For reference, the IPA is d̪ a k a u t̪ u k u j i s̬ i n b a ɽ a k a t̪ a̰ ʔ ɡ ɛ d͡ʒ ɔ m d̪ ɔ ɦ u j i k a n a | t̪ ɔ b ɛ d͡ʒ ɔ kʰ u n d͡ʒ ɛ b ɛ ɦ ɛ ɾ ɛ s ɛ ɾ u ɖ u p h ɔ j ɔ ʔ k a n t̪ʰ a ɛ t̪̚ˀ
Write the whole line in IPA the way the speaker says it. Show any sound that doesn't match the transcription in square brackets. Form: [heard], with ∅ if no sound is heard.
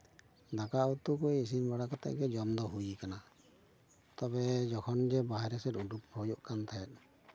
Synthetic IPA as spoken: d̪ a k a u t̪ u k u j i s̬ i n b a ɽ a k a t̪ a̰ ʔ ɡ ɛ d͡ʒ ɔ m d̪ ɔ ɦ u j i k a n a | t̪ ɔ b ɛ d͡ʒ ɔ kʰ [ɔ] n d͡ʒ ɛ b [a] ɦ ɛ ɾ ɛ s ɛ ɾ u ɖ u p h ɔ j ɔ ʔ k a n t̪ʰ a ɛ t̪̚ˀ